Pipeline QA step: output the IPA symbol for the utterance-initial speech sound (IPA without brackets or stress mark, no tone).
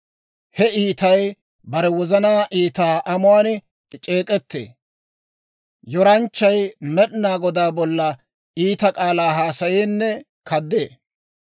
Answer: h